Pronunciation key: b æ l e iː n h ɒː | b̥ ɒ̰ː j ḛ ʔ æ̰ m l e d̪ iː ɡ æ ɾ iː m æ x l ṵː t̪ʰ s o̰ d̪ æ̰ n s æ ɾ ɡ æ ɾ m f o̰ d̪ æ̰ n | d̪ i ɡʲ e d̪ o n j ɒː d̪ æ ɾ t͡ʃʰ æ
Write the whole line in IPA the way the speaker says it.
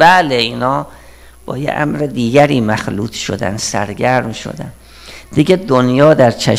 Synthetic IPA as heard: b æ l e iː n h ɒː | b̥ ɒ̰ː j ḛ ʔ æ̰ m ɾ e d̪ iː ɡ æ ɾ iː m æ x l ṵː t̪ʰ ʃ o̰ d̪ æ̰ n s æ ɾ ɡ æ ɾ m ʃ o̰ d̪ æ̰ n | d̪ i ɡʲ e d̪ o n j ɒː d̪ æ ɾ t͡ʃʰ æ